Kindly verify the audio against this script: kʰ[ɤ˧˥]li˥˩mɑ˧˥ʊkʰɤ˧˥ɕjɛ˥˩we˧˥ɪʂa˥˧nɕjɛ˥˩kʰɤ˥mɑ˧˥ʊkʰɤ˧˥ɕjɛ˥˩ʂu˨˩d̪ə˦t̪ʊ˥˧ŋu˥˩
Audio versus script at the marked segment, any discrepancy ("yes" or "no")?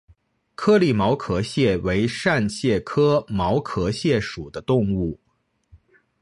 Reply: yes